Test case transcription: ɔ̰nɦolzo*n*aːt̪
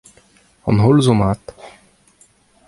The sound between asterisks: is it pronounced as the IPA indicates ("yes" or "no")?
no